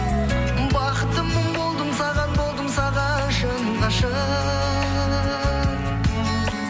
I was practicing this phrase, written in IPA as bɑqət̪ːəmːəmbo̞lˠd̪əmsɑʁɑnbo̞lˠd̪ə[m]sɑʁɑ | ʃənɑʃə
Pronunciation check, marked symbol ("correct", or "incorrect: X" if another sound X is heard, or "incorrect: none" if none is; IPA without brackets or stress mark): correct